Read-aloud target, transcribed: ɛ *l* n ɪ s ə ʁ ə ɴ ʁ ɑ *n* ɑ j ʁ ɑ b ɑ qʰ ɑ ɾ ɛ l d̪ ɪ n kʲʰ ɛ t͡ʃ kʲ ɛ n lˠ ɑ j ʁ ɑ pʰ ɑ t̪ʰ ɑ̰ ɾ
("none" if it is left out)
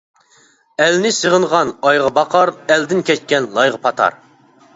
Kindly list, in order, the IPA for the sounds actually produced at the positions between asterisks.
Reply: l, n

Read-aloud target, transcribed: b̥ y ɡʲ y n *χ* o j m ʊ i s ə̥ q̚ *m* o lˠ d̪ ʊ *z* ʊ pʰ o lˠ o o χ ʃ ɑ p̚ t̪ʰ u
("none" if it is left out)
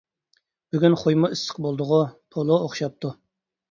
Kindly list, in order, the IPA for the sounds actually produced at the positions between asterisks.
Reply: χ, b, ʁ

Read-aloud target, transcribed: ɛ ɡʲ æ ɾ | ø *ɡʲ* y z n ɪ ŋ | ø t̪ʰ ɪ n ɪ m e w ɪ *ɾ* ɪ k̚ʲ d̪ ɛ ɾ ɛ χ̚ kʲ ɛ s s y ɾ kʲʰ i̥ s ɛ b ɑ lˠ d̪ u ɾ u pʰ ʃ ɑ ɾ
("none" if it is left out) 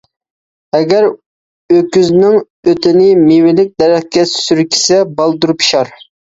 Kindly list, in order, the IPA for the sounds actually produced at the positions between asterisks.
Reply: kʲ, l

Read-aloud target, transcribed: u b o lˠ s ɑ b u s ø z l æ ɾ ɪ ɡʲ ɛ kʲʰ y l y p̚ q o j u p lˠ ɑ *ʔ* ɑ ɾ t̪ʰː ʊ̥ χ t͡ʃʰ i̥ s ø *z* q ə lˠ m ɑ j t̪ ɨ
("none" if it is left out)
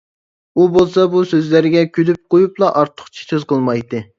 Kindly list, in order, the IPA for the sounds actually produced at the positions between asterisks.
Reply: ʔ, z

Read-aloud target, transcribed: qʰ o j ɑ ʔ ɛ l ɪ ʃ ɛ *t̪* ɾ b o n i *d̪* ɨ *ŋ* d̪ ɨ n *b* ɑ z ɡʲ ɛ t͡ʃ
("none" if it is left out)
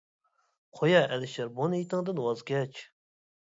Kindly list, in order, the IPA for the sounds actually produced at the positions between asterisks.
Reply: none, t̪, ŋ, w

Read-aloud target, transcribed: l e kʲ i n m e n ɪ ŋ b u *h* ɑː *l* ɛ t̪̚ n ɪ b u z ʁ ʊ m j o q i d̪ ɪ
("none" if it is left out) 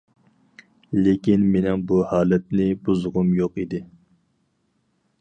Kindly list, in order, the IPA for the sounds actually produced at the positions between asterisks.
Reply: h, l

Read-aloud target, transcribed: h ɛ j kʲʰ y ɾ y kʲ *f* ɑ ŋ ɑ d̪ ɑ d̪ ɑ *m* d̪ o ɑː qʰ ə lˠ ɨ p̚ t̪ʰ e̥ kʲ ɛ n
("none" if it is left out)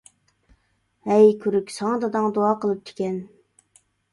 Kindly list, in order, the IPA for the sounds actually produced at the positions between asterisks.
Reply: s, ŋ

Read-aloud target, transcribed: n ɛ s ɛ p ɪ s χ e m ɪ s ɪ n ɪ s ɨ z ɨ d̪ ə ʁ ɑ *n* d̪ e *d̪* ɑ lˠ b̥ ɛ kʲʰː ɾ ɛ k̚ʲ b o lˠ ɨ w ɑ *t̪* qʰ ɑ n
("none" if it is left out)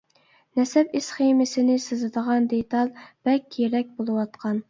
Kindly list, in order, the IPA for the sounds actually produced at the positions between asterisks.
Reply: n, t̪, t̪

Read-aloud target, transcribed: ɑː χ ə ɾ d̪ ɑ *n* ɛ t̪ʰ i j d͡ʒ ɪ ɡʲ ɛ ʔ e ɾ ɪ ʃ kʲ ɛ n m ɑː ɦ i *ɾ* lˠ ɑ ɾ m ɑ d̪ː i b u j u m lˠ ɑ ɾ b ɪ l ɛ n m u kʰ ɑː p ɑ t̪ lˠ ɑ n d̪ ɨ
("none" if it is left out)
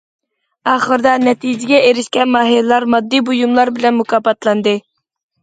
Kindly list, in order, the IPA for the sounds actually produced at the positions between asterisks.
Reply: n, l

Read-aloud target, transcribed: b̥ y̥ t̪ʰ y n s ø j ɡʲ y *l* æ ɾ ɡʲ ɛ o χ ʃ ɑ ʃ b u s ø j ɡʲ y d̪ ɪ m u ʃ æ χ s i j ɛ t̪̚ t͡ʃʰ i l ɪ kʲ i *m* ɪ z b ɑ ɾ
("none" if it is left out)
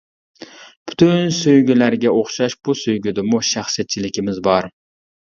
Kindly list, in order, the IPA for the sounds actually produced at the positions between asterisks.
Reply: l, m

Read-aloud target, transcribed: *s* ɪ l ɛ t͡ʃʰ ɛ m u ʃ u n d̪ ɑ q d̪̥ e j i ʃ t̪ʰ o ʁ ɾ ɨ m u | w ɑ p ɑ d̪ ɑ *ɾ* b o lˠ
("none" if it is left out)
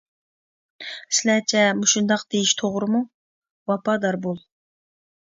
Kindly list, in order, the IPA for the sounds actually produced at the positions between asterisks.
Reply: s, ɾ

